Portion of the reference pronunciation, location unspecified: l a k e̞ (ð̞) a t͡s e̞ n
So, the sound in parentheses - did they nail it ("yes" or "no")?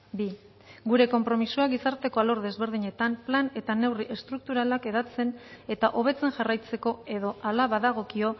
yes